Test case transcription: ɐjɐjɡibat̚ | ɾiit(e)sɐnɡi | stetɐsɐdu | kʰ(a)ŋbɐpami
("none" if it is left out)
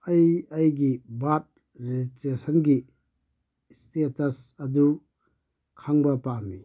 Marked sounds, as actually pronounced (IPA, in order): e, a

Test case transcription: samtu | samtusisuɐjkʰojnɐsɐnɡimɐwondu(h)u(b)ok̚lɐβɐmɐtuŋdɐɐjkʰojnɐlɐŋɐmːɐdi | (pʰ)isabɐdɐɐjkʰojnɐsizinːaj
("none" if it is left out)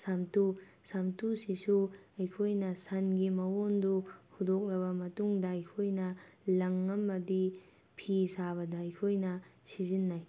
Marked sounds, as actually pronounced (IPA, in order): h, d, pʰ

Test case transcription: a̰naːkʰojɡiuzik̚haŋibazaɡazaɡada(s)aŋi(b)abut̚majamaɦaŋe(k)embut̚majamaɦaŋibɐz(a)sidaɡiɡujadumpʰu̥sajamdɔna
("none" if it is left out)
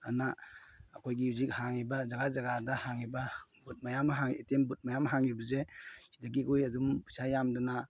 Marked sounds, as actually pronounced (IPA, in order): h, b, t, e

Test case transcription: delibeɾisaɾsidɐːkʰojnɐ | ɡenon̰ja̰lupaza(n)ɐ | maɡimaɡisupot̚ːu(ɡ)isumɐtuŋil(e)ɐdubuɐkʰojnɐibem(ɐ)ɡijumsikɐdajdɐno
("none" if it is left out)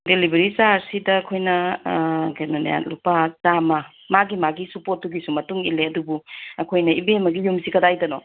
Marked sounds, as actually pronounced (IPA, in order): m, ɡ, e, ɐ

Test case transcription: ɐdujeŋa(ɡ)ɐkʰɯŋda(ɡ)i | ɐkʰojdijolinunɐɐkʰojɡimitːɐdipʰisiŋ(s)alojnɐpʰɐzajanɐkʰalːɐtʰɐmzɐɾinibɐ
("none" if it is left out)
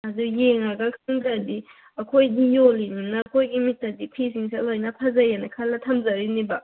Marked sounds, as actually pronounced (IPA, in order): ɡ, d, s

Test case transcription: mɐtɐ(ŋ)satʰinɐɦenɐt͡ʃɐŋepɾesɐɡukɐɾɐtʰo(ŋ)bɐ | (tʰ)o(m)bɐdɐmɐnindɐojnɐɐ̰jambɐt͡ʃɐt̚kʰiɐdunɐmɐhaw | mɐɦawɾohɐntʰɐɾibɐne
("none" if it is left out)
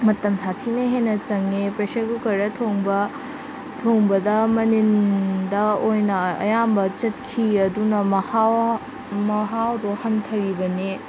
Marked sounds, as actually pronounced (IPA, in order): m, ŋ, tʰ, ŋ

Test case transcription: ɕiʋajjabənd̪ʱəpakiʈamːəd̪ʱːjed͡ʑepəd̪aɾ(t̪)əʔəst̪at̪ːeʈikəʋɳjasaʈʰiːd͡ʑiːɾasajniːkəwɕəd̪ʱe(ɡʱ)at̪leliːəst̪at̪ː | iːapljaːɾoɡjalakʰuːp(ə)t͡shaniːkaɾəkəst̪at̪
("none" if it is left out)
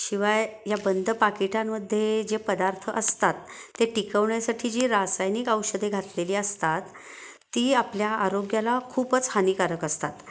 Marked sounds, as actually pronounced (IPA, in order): t̪ʰ, ɡʱ, ə

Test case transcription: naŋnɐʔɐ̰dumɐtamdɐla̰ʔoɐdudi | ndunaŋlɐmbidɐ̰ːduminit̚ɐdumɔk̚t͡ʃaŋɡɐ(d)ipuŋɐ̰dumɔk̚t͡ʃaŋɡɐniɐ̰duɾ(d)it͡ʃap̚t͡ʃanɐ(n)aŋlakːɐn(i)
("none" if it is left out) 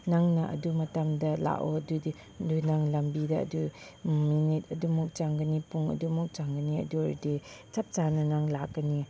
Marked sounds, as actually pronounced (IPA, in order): n, d, n, i

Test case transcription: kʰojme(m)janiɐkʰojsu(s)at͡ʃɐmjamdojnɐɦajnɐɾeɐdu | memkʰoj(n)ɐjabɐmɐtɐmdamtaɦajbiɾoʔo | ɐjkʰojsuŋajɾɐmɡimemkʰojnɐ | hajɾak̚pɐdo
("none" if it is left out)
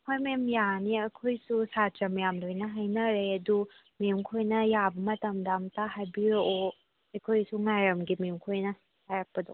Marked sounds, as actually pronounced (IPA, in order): m, s, n

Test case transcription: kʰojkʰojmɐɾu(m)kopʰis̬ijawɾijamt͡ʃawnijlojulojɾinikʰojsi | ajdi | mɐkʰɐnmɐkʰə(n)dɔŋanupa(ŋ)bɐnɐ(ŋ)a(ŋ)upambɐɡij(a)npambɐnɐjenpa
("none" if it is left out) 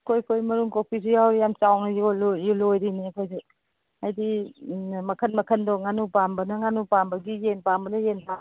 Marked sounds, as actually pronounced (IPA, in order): ŋ, n, m, ŋ, n, e

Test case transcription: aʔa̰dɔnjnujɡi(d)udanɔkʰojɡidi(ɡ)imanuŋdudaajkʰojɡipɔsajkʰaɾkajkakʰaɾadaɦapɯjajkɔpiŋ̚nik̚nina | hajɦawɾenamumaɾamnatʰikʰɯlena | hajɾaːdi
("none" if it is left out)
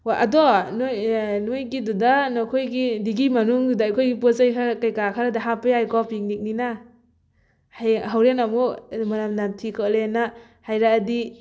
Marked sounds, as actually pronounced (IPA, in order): d, ɡ

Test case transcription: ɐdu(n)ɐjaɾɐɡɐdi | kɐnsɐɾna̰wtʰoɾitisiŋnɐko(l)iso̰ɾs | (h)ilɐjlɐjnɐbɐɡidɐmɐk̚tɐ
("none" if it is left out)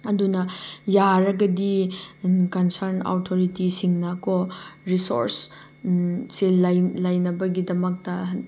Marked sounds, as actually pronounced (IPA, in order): n, ɾ, s

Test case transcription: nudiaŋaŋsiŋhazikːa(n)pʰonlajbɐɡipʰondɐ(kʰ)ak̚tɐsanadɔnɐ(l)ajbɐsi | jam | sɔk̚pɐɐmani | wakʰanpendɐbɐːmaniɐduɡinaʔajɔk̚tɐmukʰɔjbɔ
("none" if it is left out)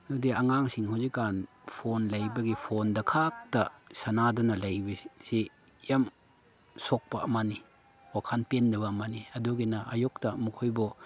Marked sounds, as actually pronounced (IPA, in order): n, kʰ, l

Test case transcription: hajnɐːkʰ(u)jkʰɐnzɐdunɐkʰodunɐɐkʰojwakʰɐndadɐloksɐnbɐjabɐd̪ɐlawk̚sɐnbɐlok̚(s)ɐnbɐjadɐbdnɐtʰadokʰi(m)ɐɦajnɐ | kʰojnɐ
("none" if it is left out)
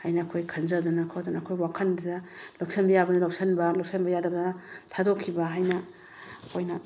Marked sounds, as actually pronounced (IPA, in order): o, s, b

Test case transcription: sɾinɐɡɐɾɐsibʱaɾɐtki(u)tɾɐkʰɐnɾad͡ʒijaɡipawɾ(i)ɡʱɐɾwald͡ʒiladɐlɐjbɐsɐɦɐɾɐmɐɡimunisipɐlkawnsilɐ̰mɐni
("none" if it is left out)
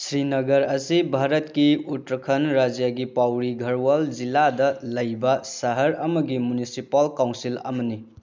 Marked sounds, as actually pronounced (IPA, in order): u, i

